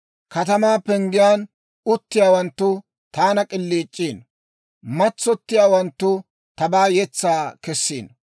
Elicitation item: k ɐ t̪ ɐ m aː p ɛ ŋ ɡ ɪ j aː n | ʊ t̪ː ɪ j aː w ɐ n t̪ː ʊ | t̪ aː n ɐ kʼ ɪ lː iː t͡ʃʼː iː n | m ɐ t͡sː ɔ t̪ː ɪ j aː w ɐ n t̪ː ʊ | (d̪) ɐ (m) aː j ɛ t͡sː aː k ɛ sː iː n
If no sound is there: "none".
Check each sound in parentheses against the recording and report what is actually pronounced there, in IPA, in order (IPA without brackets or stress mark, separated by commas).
t̪, b